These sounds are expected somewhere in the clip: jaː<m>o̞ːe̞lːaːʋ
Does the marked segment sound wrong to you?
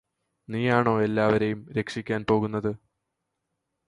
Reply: yes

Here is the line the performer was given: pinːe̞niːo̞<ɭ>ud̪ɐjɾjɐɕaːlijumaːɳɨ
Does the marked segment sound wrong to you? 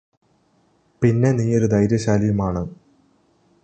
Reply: yes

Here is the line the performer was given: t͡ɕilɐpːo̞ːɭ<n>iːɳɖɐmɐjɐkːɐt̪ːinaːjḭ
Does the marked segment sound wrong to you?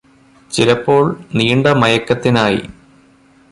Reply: no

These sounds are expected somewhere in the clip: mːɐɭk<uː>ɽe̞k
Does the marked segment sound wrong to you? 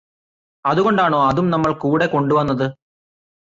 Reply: no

